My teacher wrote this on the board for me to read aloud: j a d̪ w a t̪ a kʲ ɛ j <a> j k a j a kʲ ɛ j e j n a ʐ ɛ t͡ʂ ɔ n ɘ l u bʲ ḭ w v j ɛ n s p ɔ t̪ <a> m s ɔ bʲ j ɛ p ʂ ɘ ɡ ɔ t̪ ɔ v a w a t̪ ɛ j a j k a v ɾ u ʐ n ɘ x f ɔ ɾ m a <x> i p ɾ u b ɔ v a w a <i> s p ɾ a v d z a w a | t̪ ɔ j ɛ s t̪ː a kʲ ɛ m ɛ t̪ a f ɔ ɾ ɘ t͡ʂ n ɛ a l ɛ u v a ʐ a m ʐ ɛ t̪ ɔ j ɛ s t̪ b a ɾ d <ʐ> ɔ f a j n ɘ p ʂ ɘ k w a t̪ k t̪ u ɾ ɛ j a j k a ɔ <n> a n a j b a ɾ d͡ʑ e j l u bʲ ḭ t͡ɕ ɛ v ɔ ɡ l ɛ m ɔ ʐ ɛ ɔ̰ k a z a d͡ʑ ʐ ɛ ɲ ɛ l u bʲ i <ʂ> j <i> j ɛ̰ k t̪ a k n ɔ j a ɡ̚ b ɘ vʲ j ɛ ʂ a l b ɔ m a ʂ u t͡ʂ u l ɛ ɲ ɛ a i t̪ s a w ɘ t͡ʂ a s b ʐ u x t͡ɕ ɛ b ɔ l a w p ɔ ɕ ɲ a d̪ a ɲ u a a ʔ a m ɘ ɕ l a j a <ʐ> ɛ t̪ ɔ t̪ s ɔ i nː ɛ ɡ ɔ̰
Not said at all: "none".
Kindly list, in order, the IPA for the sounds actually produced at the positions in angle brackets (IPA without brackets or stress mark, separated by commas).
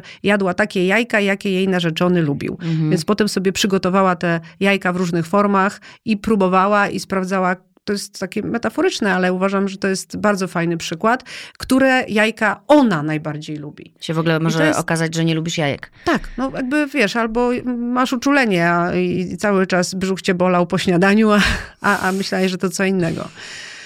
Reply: a, ɛ, x, i, z, n, ʂ, a, ʐ